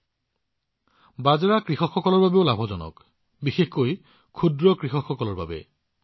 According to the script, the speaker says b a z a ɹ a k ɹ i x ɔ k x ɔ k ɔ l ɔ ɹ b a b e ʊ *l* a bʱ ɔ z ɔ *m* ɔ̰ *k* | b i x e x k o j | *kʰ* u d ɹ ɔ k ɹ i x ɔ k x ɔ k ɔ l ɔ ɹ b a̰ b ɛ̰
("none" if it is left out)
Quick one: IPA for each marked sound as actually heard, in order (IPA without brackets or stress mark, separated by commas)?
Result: l, n, k, kʰ